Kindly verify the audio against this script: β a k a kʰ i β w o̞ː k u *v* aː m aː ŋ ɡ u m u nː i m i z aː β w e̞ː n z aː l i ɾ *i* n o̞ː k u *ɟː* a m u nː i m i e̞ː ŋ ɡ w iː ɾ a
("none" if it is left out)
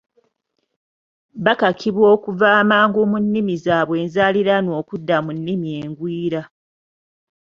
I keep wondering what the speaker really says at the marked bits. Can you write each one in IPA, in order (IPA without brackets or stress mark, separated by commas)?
v, a, dː